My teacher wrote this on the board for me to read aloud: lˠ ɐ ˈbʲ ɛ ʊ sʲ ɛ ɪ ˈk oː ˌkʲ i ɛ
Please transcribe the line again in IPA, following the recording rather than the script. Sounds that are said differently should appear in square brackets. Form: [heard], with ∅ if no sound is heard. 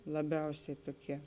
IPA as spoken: lˠ ɐ ˈbʲ ɛ ʊ sʲ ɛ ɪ [ˈt] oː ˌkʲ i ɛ